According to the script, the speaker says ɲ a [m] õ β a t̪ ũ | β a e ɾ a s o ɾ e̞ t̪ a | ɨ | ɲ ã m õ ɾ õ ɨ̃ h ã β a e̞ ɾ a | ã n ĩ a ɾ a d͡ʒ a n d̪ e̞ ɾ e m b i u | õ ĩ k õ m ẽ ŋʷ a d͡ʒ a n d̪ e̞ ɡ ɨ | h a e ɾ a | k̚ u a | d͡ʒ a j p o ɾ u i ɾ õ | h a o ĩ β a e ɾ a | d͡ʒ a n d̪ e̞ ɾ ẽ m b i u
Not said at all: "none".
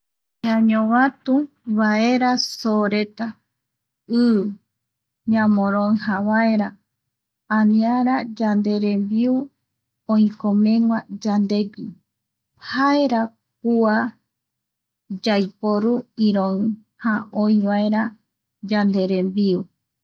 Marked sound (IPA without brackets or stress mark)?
ɲ